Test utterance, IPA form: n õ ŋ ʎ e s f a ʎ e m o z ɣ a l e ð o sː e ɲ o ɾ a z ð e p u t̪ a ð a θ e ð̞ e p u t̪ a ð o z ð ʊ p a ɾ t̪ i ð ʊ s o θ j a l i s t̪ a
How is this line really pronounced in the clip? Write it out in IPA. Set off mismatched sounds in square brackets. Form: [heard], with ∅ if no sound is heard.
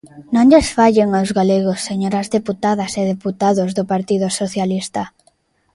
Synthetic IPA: n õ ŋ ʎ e s f a ʎ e [ŋ] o z ɣ a l e [ɣ] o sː e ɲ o ɾ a z ð e p u t̪ a ð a [s] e ð̞ e p u t̪ a ð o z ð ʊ p a ɾ t̪ i ð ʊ s o θ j a l i s t̪ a

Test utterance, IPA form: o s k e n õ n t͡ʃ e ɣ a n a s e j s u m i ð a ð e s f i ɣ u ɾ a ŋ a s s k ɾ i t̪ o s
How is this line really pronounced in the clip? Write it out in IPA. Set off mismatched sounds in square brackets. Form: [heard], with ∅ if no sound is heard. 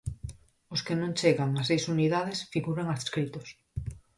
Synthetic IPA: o s k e n õ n t͡ʃ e ɣ a [ŋ] a s e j s u [n] i ð a ð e s f i ɣ u ɾ a ŋ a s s k ɾ i t̪ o s

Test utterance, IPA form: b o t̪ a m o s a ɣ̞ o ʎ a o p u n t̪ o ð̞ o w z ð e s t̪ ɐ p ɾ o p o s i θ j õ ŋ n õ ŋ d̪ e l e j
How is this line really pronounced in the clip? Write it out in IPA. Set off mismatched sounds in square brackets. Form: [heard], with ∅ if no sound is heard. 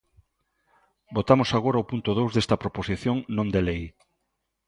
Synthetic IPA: b o t̪ a m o s a ɣ̞ o [ɾ] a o p u n t̪ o ð̞ o w z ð e s t̪ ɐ p ɾ o p o s i θ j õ ŋ n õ [n] d̪ e l e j

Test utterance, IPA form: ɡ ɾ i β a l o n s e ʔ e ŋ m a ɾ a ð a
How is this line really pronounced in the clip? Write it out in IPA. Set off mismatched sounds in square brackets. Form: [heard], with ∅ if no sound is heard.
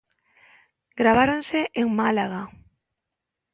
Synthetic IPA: ɡ ɾ [a] β a [ɾ] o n s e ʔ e ŋ m a [l] a [ɣ] a

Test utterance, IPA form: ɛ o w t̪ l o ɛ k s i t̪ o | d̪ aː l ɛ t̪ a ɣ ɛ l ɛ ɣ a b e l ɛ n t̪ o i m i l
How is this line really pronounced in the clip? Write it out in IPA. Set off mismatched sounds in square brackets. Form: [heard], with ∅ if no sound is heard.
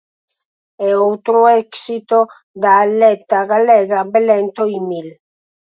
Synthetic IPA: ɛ o w t̪ [ɾ] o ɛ k s i t̪ o | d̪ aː l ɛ t̪ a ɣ [a] l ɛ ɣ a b e l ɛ n t̪ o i m i l

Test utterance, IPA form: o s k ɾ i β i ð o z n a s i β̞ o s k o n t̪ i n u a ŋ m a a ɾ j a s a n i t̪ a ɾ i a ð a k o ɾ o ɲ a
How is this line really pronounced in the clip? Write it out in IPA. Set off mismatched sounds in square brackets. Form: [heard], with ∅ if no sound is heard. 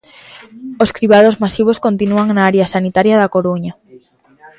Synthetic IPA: o s k ɾ i β [a] ð o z [m] a s i β̞ o s k o n t̪ i n u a ŋ [n] a a ɾ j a s a n i t̪ a ɾ [j] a ð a k o ɾ [u] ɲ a

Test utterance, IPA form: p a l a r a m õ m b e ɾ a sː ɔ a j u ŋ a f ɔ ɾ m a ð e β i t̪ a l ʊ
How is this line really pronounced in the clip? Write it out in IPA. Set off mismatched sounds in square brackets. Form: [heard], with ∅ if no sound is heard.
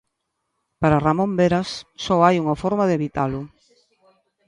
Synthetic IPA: p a [ɾ] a r a m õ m b e ɾ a sː ɔ a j u ŋ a f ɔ ɾ m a ð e β i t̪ a l ʊ

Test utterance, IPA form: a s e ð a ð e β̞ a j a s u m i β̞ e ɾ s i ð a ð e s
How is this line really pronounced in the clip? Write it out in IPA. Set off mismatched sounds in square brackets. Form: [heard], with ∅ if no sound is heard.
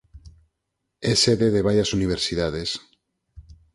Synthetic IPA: [e] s e ð [e] ð e β̞ a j a s u [n] i β̞ e ɾ s i ð a ð e s

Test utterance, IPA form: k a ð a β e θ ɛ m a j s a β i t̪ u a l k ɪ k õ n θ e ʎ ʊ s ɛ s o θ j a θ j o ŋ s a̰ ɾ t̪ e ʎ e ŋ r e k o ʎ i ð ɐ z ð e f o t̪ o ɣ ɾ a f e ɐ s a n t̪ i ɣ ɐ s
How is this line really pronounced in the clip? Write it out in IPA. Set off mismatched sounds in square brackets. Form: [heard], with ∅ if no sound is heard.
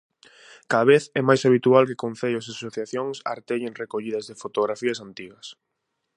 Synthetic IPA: k a ð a β e θ ɛ m a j s a β i t̪ u a l k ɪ k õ n θ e ʎ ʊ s [a] s o θ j a θ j o ŋ s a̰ ɾ t̪ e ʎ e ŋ r e k o ʎ i ð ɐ z ð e f o t̪ o ɣ ɾ a f [i] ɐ s a n t̪ i ɣ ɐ s

